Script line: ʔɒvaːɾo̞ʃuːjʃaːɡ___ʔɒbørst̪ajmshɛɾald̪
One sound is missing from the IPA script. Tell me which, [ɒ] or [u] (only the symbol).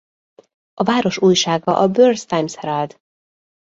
ɒ